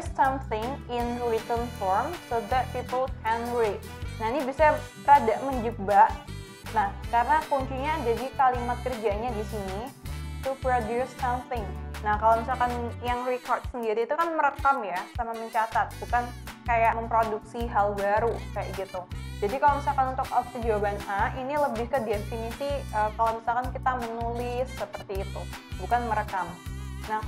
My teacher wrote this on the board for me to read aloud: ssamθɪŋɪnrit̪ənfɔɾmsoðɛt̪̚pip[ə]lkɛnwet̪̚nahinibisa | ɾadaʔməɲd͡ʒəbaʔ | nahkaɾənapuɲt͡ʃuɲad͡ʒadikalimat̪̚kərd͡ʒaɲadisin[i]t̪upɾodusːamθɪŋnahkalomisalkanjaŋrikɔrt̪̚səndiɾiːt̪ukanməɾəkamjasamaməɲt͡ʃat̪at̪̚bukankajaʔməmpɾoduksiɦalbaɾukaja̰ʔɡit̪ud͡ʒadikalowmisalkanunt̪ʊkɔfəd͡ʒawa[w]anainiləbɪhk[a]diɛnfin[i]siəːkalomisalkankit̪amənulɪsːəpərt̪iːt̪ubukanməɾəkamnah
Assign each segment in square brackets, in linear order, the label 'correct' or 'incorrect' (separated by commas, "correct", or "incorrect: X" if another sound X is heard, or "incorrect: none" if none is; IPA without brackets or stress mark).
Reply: correct, correct, incorrect: b, incorrect: ə, correct